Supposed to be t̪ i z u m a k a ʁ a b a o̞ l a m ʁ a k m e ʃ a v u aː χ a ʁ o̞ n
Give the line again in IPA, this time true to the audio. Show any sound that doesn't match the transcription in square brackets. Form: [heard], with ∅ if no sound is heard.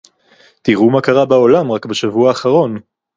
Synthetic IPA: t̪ i [ʁ] u m a k a ʁ a b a o̞ l a m ʁ a k [b] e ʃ a v u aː χ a ʁ o̞ n